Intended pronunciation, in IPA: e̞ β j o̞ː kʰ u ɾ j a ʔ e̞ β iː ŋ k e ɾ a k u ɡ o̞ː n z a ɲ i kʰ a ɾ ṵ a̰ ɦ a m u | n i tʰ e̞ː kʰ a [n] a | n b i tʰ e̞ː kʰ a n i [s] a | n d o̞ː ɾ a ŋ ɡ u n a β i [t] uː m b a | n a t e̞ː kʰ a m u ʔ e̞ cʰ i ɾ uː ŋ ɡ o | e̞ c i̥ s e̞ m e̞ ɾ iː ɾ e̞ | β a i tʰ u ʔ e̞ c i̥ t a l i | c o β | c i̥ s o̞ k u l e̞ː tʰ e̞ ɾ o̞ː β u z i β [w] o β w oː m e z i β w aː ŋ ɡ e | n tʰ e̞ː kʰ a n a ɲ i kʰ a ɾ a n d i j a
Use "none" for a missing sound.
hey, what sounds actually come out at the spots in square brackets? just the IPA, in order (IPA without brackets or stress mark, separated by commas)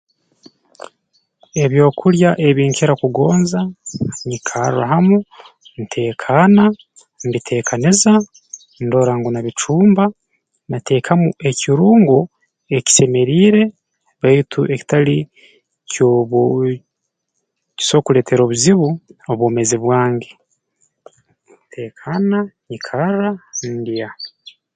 n, z, t͡ʃ, u